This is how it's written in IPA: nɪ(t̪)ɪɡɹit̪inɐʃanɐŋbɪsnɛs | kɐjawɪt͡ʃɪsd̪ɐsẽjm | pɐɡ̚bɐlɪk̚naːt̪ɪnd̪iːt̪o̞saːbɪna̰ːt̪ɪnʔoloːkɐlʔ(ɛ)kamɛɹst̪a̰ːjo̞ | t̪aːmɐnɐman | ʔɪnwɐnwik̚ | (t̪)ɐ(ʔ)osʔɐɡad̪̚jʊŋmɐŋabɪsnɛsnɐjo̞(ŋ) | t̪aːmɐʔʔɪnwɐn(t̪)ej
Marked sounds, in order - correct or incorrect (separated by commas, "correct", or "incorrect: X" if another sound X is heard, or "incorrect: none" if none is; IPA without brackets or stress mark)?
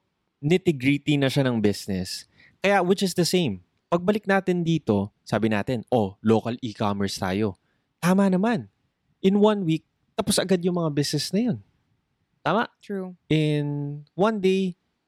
correct, incorrect: i, correct, incorrect: p, incorrect: n, incorrect: d̪